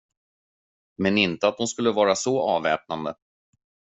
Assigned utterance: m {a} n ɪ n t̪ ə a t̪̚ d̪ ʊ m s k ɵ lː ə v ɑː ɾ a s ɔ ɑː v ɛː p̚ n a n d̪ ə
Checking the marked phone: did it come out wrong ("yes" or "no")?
yes